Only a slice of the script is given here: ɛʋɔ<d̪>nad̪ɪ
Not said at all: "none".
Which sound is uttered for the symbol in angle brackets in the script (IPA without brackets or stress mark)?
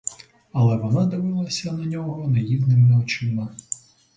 none